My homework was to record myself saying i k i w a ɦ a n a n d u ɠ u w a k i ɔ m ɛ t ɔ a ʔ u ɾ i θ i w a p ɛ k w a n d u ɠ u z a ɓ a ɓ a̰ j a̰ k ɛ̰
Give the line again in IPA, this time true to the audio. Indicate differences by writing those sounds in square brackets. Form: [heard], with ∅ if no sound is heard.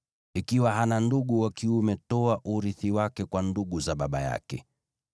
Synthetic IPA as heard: i k i w a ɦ a n a n d u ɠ u w a k i [u] m ɛ t ɔ a ʔ u ɾ i θ i w a [k] ɛ k w a n d u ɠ u z a ɓ a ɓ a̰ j a̰ k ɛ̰

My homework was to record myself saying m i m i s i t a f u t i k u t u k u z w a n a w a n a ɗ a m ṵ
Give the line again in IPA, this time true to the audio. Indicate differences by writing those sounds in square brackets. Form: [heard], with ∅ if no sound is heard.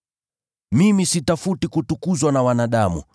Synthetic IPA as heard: m i m i s i t a f u t i k u t u k u z w a n a w a n a ɗ a m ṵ

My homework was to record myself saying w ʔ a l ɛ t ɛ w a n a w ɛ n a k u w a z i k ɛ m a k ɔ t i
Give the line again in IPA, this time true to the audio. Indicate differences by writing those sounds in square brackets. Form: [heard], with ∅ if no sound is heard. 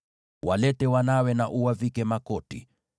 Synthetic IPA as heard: w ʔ a l ɛ t ɛ w a n a w ɛ n a [ʔ] u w a [v] i k ɛ m a k ɔ t i

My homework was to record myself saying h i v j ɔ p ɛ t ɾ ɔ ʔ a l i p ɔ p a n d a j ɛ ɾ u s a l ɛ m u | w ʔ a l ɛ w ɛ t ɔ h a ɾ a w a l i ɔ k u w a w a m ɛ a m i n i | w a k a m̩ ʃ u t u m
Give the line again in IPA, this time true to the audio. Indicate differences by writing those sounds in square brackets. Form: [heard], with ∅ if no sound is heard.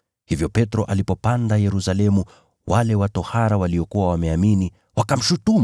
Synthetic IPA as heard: h i v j ɔ p ɛ t ɾ ɔ ʔ a l i p ɔ p a n d a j ɛ ɾ u s a l ɛ m u | w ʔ a l ɛ w [a] t ɔ h a ɾ a w a l i ɔ k u w a w a m ɛ a m i n i | w a k a m̩ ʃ u t u m

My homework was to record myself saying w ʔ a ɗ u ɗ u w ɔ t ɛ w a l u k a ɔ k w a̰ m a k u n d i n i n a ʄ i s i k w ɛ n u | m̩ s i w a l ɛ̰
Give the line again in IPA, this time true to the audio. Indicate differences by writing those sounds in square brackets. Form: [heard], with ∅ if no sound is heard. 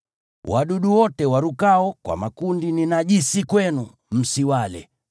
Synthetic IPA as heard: w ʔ a ɗ u ɗ u w ɔ t ɛ w a [ɾ] u k a ɔ k w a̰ m a k u n d i n i n a ʄ i s i k w ɛ n u | m̩ s i w a l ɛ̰

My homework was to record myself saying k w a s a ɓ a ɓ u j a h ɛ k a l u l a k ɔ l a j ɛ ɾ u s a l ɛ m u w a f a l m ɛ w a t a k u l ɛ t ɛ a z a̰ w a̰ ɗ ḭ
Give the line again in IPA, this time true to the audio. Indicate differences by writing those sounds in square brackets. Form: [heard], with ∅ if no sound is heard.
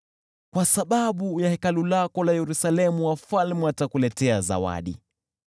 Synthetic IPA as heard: k w a s a ɓ a ɓ u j a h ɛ k a l u l a k ɔ l a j ɛ ɾ u s a l ɛ m u w a f a l m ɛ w a t a k u l ɛ t ɛ a z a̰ w a̰ ɗ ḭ

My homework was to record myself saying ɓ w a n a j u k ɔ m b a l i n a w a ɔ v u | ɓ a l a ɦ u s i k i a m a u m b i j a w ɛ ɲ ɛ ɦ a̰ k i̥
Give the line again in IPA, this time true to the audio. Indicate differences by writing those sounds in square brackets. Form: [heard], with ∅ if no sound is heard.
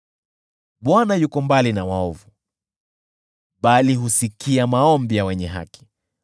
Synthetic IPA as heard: ɓ w a n a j u k ɔ m b a l i n a w a ɔ v u | ɓ a l [i] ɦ u s i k i a m a [ɔ] m b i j a w ɛ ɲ ɛ ɦ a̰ k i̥

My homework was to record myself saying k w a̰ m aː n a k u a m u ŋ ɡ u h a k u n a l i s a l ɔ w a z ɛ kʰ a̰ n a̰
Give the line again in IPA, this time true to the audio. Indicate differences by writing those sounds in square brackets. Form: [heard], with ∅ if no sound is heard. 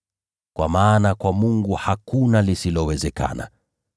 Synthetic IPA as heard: k w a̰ m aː n a k [w] a m u ŋ ɡ u h a k u n a l i s [i] l ɔ w [ɛ] z ɛ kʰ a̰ n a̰

